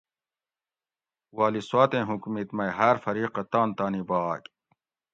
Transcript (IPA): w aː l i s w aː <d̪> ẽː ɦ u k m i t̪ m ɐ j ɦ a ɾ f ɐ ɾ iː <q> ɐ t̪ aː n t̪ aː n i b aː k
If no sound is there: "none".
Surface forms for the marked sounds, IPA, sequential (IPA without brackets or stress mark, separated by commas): t̪, q